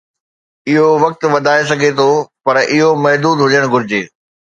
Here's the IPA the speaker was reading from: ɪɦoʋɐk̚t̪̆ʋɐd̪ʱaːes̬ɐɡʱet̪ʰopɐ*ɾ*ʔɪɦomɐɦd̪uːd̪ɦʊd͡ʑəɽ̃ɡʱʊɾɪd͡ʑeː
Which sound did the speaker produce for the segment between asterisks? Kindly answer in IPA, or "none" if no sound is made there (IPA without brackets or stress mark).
ɾ